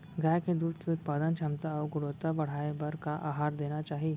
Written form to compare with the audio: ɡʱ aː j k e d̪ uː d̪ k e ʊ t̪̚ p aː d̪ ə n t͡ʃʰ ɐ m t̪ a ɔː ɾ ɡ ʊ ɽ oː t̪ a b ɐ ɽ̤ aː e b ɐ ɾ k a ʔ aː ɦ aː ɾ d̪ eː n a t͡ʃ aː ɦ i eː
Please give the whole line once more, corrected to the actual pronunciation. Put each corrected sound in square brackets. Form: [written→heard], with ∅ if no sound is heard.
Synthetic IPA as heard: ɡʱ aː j k e d̪ uː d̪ k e ʊ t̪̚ p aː d̪ ə n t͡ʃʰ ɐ m t̪ a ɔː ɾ ɡ ʊ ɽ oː t̪ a b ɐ ɽ̤ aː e b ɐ ɾ k a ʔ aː ɦ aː ɾ d̪ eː n a t͡ʃ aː ɦ i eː